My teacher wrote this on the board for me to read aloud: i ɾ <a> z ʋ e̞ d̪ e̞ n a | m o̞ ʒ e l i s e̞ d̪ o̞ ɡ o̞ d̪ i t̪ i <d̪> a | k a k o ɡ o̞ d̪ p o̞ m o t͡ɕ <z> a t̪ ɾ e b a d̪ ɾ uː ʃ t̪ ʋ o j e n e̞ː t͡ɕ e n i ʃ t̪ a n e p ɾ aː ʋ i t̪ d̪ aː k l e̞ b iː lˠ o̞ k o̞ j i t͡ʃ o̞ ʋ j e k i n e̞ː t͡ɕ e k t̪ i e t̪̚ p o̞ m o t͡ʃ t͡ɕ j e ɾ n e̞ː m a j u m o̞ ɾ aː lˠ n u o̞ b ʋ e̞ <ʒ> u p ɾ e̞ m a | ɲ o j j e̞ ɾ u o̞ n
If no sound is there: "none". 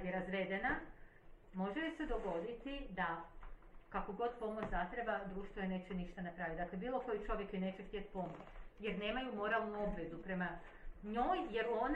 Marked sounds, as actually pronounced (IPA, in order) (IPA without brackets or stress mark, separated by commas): a, d̪, z, z